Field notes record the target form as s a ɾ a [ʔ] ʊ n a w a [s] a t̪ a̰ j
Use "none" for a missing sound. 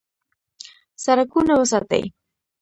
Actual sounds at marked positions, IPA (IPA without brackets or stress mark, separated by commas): k, s